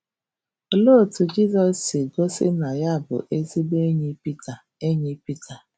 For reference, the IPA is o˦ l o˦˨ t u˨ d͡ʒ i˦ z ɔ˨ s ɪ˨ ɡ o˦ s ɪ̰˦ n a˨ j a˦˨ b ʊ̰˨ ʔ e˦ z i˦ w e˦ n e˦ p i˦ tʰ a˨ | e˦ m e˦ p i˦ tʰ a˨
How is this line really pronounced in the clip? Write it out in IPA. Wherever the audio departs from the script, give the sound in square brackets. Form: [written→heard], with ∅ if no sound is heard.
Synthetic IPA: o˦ l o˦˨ t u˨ d͡ʒ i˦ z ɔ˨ s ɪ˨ ɡ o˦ s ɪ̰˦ n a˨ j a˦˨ b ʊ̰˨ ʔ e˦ z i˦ [w→b] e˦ [n→ɲ] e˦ p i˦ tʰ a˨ | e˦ [m→ɲ] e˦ p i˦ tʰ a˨

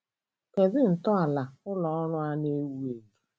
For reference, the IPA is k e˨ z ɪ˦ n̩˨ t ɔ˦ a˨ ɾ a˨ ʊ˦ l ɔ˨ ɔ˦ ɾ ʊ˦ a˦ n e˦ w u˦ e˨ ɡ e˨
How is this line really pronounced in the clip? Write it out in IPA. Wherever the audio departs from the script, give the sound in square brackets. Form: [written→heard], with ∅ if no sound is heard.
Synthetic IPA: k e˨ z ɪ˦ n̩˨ t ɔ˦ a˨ [ɾ→l] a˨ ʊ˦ l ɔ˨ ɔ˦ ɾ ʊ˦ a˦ n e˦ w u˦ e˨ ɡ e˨

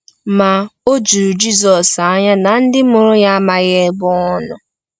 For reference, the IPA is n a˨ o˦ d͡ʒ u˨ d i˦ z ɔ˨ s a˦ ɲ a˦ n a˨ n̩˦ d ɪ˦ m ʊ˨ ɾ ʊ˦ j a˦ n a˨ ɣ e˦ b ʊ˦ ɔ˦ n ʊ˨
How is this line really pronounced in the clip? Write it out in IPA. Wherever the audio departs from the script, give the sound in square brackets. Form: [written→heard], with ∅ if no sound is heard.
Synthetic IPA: [n→m] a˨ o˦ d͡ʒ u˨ [d→d͡ʒ] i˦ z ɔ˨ s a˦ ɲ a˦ n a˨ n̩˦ d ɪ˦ m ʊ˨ ɾ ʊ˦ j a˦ [n→m] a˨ ɣ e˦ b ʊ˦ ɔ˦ n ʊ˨

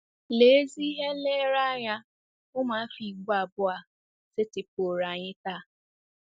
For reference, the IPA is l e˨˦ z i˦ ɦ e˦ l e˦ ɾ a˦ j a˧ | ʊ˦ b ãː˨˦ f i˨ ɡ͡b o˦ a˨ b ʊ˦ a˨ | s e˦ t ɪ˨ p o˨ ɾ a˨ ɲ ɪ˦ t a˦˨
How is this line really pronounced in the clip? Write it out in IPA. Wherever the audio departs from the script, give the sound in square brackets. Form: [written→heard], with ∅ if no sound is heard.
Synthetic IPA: l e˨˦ z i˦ ɦ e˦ l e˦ ɾ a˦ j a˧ | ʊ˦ [b→m] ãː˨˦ f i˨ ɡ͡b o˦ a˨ b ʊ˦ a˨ | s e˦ t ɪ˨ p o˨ ɾ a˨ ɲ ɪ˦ t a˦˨

